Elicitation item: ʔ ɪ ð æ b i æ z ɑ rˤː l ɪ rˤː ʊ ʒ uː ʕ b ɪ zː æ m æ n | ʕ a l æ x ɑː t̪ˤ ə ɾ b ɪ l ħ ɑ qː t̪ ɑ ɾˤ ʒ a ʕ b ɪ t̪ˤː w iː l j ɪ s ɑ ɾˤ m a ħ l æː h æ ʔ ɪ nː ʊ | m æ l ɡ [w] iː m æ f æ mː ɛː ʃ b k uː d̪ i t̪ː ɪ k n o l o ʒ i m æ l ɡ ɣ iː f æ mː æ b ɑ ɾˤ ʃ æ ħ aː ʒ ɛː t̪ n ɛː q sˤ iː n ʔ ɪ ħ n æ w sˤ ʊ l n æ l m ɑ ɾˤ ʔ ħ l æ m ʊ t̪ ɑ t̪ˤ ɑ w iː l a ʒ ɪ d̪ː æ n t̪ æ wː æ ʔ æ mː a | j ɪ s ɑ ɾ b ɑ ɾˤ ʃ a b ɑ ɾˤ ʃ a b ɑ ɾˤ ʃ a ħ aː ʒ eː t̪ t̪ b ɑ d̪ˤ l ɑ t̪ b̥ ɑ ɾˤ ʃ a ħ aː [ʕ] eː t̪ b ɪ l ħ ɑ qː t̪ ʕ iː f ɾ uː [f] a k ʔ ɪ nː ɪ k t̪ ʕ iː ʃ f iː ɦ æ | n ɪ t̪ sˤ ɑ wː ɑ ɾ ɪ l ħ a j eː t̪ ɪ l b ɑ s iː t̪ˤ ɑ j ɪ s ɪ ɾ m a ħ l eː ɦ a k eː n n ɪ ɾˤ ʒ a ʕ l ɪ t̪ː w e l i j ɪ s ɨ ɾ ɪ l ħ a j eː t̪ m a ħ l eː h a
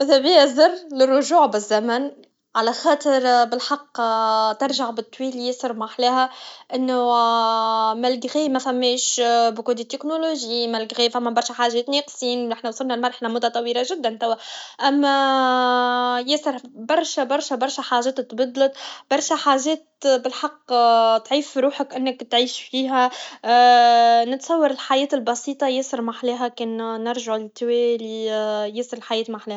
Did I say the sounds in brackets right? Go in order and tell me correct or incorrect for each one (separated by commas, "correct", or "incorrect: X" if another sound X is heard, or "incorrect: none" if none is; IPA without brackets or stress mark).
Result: incorrect: ɣ, incorrect: ʒ, incorrect: ħ